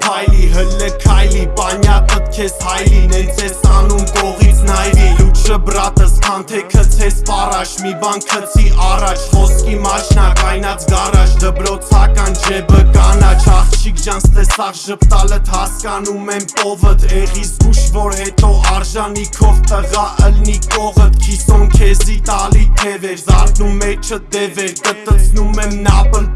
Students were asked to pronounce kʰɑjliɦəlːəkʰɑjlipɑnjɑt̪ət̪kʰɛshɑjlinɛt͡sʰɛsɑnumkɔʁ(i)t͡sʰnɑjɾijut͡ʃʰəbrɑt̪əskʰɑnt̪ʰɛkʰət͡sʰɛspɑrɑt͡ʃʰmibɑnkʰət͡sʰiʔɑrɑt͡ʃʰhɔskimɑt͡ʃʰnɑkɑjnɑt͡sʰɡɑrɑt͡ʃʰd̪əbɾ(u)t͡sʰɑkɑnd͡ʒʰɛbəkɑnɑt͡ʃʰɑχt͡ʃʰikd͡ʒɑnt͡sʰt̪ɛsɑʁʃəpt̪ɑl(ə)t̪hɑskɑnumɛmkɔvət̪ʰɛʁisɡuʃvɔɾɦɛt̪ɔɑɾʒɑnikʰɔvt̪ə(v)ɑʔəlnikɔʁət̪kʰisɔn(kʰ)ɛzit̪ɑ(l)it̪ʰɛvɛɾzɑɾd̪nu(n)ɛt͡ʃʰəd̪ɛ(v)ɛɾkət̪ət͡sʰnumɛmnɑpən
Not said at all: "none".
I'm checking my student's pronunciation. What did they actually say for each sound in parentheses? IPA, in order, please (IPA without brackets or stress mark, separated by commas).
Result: i, ɔ, ə, ʁ, kʰ, l, m, v